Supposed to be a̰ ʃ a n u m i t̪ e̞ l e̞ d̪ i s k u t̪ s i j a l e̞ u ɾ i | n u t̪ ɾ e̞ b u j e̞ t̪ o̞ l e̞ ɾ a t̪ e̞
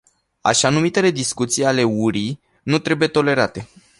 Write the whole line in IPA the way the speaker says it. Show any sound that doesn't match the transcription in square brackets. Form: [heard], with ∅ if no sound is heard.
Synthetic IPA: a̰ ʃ a n u m i t̪ e̞ l e̞ d̪ i s k u t̪ s i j a l e̞ u ɾ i | n u t̪ ɾ e̞ b u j e̞ t̪ o̞ l e̞ ɾ a t̪ e̞